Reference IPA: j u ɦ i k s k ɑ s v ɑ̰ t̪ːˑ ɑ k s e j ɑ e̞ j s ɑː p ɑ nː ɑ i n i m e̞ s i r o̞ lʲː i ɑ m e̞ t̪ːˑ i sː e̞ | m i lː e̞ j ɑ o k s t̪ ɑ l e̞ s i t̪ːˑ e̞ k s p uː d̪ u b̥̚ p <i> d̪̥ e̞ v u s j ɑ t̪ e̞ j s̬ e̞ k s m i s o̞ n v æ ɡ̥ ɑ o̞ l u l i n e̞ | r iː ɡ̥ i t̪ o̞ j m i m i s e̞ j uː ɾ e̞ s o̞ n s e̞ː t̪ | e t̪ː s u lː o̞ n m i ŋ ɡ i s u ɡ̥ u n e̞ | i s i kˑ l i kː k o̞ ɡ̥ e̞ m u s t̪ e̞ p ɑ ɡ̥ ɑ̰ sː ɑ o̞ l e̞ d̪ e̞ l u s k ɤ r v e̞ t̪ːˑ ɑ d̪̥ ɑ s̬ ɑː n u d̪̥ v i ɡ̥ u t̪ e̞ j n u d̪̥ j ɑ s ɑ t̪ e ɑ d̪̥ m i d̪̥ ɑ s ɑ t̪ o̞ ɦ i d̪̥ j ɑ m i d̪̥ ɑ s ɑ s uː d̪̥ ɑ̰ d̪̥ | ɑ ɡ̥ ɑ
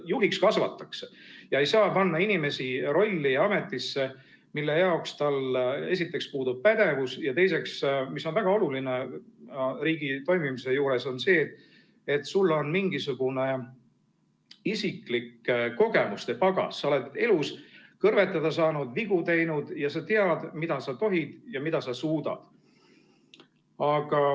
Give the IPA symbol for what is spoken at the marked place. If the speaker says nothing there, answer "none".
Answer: æ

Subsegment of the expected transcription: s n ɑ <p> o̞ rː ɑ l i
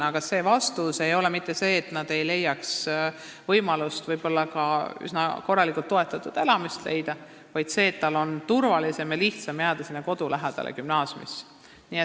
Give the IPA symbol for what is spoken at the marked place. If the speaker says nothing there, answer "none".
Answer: k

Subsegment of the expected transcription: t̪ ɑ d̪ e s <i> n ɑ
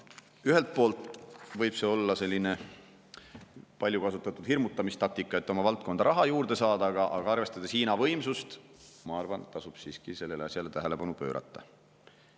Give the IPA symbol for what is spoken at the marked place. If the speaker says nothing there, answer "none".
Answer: iː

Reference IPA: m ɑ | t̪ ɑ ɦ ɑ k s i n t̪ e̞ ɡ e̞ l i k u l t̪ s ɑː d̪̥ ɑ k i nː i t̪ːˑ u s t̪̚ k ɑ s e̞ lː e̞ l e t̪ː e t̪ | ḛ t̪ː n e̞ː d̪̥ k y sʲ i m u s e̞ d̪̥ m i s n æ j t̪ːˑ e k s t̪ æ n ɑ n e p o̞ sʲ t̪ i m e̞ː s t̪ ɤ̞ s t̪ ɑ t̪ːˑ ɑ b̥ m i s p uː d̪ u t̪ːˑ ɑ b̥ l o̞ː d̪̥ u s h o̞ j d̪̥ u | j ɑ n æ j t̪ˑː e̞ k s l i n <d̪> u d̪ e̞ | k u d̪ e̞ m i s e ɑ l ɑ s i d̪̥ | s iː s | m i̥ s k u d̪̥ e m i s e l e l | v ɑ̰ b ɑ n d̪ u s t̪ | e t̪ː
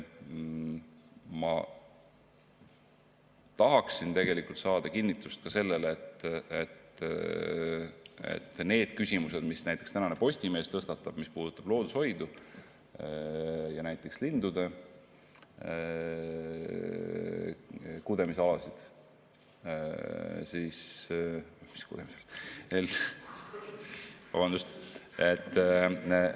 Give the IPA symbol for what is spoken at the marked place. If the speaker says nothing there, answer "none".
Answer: d̪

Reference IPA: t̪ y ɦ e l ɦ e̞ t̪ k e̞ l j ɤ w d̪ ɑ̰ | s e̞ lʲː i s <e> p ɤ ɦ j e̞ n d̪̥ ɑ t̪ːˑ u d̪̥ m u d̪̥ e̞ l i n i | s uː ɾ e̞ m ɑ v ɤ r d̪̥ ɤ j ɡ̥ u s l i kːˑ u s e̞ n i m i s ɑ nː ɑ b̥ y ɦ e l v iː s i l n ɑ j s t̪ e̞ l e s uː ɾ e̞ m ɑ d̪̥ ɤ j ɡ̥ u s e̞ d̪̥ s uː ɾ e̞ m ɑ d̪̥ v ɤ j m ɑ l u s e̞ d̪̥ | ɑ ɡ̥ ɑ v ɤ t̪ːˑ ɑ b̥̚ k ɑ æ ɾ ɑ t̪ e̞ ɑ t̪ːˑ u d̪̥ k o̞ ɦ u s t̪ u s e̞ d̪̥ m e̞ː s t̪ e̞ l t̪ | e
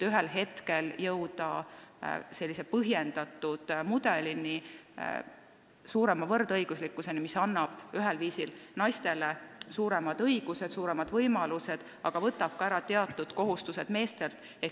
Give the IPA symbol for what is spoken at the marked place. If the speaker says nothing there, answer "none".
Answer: e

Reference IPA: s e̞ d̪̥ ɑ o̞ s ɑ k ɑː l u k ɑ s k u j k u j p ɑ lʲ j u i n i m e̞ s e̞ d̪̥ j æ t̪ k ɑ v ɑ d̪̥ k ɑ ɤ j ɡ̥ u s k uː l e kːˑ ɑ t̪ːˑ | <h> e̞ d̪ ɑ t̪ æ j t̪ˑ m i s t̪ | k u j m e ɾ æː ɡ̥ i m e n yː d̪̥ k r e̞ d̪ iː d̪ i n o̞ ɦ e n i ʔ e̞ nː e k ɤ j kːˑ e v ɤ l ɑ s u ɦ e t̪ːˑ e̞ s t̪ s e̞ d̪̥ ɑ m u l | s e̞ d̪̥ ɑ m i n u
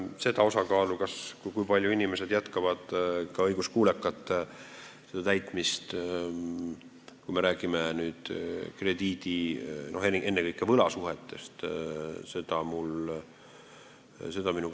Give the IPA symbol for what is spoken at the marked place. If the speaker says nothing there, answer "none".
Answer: s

